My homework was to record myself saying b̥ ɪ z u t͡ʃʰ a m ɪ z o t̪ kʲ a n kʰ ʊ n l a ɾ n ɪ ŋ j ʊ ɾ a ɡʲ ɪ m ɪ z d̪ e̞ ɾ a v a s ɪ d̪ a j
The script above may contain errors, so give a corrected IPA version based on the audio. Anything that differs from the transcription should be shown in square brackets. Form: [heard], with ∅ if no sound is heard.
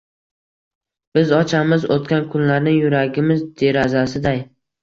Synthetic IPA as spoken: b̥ ɪ z [ɒ] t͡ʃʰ a m ɪ z o t̪ kʲ a n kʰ ʊ n l a ɾ n ɪ ŋ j ʊ ɾ a ɡʲ ɪ m ɪ z d̪ e̞ ɾ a [z] a s ɪ d̪ a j

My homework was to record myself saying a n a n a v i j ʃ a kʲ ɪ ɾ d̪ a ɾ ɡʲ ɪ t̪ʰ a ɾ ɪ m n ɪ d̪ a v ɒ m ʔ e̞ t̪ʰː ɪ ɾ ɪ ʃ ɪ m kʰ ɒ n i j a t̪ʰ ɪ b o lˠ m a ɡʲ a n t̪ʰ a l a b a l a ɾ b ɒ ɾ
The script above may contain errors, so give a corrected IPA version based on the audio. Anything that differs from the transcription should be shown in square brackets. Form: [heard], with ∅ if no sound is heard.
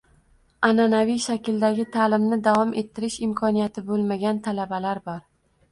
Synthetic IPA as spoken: a n a n a v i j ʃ a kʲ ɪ [l] d̪ a [∅] ɡʲ ɪ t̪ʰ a [l] ɪ m n ɪ d̪ a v ɒ m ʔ e̞ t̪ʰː ɪ ɾ ɪ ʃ ɪ m kʰ ɒ n i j a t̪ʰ ɪ b o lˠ m a ɡʲ a n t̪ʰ a l a b a l a ɾ b ɒ ɾ

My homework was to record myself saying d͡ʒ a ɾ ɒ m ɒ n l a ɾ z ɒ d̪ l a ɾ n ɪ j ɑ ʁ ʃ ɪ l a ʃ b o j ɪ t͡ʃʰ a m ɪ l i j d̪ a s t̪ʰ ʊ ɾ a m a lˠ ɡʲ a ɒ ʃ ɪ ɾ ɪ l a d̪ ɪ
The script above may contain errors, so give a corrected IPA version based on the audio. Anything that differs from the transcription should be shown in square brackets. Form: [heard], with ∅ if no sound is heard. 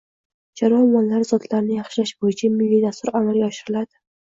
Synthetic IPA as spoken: d͡ʒ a ɾ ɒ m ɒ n l a ɾ z ɒ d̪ l a ɾ n ɪ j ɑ [χ] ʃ ɪ l a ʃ b o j ɪ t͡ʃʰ a m ɪ [lː] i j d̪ a s [t̪] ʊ ɾ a m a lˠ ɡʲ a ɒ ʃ ɪ ɾ ɪ l a d̪ ɪ

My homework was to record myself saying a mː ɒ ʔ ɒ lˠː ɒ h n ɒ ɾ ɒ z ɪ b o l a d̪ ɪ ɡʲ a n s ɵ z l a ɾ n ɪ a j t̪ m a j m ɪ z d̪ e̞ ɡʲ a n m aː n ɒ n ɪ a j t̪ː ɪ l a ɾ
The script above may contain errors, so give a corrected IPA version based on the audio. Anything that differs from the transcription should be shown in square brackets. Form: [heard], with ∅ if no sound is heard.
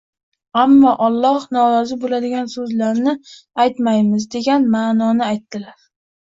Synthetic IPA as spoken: a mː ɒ ʔ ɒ lˠː ɒ h n ɒ ɾ ɒ z ɪ b o l a d̪ ɪ ɡʲ a n s ɵ z l a ɾ n ɪ a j t̪ m a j m ɪ z d̪ e̞ ɡʲ a n m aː n ɒ n ɪ a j t̪ː ɪ l a ɾ

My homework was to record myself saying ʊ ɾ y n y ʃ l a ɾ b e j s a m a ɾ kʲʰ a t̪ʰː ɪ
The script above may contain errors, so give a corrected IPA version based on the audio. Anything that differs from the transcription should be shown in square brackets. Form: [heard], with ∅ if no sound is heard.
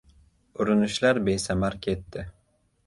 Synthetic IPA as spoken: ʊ ɾ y n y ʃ l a ɾ b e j s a m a ɾ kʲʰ [e] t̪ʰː ɪ

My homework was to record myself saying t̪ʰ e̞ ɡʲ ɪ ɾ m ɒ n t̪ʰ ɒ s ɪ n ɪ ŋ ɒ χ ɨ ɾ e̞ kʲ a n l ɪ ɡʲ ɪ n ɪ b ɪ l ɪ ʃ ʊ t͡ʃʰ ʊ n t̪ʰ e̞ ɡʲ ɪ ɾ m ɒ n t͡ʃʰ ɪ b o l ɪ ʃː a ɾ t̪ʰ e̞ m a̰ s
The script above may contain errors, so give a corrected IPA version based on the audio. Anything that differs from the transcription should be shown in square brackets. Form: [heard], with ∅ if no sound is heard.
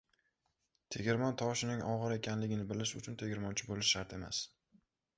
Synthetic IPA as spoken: t̪ʰ e̞ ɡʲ ɪ ɾ m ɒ n t̪ʰ ɒ [ʃ] ɪ n ɪ ŋ ɒ [ʁ] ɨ ɾ e̞ kʲ a n l ɪ ɡʲ ɪ n ɪ b ɪ l ɪ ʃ ʊ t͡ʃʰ ʊ n t̪ʰ e̞ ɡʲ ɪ ɾ m ɒ n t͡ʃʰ ɪ b o l ɪ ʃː a ɾ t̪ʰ e̞ m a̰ s

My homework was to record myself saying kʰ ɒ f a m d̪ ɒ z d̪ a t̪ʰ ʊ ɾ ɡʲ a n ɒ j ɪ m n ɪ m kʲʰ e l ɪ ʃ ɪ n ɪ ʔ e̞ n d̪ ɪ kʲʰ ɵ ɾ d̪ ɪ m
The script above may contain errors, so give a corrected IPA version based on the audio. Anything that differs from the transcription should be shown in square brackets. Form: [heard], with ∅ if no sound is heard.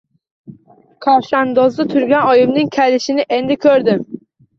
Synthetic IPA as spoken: kʰ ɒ [ʃ] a [n] d̪ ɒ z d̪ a t̪ʰ ʊ ɾ ɡʲ a n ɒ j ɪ m n ɪ [ŋ] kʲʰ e l ɪ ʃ ɪ n ɪ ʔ e̞ n d̪ ɪ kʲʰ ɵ ɾ d̪ ɪ m

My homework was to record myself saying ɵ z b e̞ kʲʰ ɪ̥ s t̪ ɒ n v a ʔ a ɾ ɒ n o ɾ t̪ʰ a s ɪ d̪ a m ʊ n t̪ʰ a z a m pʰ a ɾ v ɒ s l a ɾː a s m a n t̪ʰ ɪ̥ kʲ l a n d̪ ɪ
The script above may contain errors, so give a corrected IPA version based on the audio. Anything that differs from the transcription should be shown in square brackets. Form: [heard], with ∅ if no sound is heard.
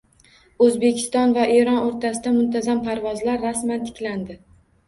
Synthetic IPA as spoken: ɵ z b e̞ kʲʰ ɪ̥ s t̪ ɒ n v a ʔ [e] ɾ ɒ n o ɾ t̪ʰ a s ɪ d̪ a m ʊ n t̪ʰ a z a m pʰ a ɾ v ɒ [z] l a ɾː a s m a n t̪ʰ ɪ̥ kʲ l a n d̪ ɪ

